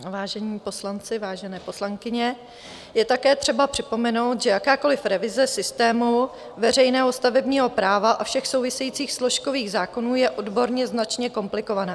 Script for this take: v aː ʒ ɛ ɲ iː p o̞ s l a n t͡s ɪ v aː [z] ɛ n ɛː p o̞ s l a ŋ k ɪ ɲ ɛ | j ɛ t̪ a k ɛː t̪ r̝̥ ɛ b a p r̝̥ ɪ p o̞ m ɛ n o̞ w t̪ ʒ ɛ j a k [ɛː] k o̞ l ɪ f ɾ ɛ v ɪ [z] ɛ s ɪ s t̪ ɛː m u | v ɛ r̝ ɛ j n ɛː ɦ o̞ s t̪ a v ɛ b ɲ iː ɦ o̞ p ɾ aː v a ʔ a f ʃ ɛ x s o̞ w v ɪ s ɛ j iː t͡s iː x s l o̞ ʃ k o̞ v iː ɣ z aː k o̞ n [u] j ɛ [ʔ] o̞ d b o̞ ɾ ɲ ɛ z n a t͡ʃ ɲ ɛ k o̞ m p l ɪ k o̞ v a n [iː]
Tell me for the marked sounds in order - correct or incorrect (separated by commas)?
incorrect, incorrect, correct, incorrect, correct, incorrect